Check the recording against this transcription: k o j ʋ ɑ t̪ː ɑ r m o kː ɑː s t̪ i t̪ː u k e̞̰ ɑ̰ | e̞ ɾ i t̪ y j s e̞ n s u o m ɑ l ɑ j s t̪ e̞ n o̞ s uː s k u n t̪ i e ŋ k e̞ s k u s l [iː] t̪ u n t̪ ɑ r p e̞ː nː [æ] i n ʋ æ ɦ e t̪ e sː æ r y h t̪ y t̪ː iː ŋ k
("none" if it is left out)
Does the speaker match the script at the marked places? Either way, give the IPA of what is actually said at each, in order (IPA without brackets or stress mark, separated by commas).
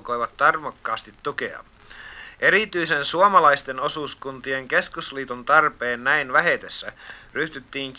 iː, æ